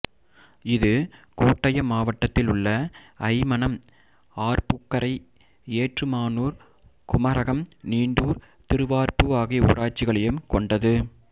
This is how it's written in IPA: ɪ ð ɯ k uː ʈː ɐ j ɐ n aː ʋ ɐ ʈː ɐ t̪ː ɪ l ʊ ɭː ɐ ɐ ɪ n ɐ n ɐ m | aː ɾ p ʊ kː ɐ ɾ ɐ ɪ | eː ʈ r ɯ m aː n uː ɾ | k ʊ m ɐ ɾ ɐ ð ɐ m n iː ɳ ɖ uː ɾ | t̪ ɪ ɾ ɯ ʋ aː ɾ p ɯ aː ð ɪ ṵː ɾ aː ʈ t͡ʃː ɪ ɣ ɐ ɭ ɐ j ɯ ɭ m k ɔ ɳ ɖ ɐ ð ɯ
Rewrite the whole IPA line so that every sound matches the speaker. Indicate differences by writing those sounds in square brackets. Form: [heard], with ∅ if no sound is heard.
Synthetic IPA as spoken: ɪ ð ɯ k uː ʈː ɐ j ɐ [m] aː ʋ ɐ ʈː ɐ t̪ː ɪ l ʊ ɭː ɐ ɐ ɪ [m] ɐ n ɐ m | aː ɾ p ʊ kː ɐ ɾ ɐ ɪ | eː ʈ r ɯ m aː n uː ɾ | k ʊ m ɐ ɾ ɐ [ɣ] ɐ m n iː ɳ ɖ uː ɾ | t̪ ɪ ɾ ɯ ʋ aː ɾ p ɯ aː [ɣ] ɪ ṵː ɾ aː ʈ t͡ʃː ɪ ɣ ɐ ɭ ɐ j ɯ [∅] m k ɔ ɳ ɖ ɐ ð ɯ

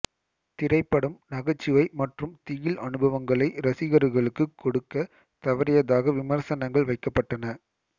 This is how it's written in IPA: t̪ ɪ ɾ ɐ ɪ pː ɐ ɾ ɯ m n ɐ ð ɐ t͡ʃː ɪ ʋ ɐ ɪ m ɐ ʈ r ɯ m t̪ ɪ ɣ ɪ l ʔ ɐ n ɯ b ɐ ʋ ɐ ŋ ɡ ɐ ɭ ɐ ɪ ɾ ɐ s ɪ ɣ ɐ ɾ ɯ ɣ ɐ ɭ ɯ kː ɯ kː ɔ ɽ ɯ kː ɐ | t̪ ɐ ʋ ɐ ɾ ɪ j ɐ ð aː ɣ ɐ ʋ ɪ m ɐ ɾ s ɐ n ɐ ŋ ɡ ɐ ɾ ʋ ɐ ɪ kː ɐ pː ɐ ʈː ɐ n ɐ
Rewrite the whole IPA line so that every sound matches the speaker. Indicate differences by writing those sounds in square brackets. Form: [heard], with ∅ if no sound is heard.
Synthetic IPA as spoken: t̪ ɪ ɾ ɐ ɪ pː ɐ [ɽ] ɯ m n ɐ [ɣ] ɐ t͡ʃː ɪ ʋ ɐ ɪ m ɐ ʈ r ɯ m t̪ ɪ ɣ ɪ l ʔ ɐ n ɯ b ɐ ʋ ɐ ŋ ɡ ɐ ɭ ɐ ɪ ɾ ɐ s ɪ ɣ ɐ ɾ ɯ ɣ ɐ ɭ ɯ kː ɯ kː ɔ ɽ ɯ kː ɐ | t̪ ɐ ʋ ɐ ɾ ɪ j ɐ ð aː ɣ ɐ ʋ ɪ m ɐ ɾ s ɐ n ɐ ŋ ɡ ɐ [ɭ] ʋ ɐ ɪ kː ɐ pː ɐ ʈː ɐ n ɐ

